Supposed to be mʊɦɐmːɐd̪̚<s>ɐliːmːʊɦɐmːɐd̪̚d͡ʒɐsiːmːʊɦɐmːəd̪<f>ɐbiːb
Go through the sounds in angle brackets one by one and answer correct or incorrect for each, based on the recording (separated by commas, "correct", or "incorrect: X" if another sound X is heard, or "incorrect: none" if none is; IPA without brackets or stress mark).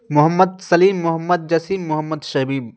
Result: correct, incorrect: ʃ